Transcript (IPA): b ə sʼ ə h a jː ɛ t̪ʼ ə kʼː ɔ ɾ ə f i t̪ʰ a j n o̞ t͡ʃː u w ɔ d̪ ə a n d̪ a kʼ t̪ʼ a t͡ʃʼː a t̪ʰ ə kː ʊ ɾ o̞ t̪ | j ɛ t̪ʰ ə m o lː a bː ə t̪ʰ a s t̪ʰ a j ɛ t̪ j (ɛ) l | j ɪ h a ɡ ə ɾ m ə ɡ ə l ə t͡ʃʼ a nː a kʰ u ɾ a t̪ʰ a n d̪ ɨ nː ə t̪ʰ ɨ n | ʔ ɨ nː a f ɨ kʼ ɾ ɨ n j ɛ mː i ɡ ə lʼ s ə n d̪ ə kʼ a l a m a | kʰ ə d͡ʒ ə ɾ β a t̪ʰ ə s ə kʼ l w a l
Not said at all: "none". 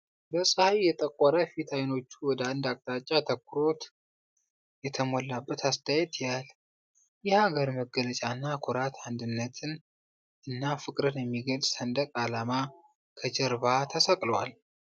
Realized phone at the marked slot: a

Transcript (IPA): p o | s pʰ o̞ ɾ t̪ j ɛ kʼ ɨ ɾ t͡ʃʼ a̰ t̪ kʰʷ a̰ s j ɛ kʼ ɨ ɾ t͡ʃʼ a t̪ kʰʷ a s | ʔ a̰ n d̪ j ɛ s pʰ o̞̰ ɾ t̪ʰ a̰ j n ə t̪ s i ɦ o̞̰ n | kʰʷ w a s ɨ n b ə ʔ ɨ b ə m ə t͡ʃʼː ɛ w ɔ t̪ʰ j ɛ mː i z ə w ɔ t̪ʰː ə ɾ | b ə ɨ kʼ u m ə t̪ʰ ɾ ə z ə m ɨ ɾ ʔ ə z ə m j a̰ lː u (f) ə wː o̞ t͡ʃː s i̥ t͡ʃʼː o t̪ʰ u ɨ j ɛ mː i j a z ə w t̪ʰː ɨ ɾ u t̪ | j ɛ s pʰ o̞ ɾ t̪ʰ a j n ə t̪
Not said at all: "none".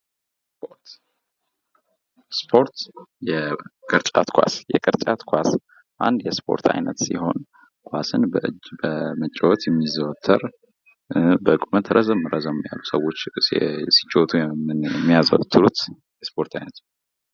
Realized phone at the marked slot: s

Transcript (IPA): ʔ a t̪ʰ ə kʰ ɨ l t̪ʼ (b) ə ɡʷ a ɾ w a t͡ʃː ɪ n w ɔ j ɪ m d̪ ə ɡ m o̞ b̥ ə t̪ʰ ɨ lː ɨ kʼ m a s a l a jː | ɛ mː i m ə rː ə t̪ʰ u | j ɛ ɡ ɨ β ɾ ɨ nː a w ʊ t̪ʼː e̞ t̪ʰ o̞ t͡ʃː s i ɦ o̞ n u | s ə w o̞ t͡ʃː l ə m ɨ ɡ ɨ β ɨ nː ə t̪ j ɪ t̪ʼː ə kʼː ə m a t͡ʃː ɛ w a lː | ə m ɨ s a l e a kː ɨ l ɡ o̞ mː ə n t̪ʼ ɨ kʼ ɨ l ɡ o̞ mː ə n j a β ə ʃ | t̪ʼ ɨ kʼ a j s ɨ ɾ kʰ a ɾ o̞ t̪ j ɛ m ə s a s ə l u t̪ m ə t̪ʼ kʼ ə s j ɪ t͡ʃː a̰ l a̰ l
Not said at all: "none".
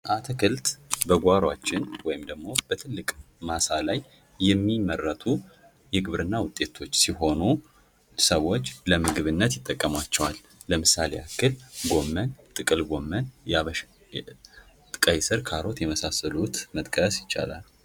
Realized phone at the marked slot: b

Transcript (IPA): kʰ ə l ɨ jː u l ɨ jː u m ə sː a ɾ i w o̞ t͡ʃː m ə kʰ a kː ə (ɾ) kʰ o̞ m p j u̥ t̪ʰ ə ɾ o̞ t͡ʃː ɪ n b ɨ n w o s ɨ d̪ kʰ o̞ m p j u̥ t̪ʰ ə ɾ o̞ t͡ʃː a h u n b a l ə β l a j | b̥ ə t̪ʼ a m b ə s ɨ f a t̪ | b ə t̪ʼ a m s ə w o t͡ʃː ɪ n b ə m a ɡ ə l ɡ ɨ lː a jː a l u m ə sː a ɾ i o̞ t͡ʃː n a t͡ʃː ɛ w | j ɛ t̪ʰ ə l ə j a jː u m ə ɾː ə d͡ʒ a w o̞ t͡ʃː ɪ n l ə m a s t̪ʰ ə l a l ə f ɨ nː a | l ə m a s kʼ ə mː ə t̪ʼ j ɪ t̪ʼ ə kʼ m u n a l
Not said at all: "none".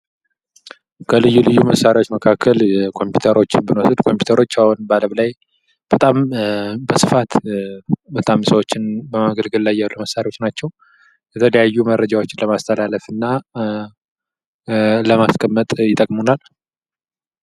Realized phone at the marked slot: l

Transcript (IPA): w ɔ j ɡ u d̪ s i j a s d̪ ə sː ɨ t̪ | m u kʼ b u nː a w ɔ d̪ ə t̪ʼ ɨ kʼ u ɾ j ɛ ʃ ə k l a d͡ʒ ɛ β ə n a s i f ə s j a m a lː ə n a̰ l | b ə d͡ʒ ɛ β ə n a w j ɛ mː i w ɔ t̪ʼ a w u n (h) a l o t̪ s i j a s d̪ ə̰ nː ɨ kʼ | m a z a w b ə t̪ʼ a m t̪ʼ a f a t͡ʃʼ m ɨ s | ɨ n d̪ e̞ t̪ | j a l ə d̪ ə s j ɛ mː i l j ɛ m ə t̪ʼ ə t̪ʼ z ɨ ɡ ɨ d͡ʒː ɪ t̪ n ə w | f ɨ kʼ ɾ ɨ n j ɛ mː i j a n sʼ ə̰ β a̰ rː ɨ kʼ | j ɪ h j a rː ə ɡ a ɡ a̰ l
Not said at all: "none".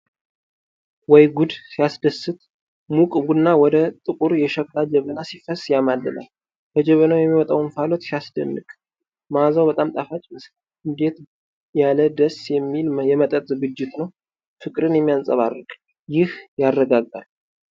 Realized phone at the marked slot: f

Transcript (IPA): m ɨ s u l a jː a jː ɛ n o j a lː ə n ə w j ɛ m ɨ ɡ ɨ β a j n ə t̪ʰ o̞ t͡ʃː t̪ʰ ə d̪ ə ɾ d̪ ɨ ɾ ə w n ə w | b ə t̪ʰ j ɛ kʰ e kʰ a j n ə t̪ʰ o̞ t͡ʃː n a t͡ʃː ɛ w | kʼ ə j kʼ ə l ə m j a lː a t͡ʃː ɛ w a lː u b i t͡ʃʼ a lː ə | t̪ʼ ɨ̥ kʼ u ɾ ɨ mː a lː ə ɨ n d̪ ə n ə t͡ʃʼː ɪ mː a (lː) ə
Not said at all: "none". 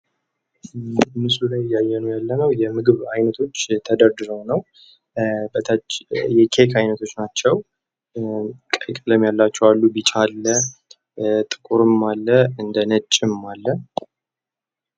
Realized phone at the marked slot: lː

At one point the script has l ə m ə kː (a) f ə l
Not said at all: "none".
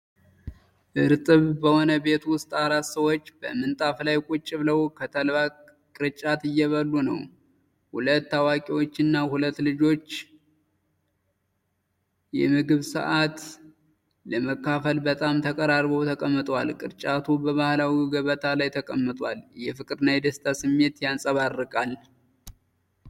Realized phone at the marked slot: a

